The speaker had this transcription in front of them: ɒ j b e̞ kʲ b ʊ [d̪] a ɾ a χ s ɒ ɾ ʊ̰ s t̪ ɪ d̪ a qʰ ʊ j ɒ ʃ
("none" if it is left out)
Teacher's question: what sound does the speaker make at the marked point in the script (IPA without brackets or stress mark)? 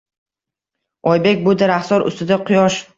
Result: d̪